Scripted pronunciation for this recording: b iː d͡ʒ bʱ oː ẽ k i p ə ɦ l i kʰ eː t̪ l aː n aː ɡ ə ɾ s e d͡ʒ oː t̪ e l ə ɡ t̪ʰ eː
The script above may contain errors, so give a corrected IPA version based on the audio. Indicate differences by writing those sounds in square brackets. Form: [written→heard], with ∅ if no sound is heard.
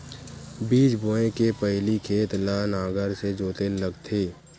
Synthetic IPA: b iː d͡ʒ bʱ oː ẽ k [i→e] p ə ɦ l i kʰ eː t̪ l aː n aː ɡ ə ɾ s e d͡ʒ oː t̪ e l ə ɡ t̪ʰ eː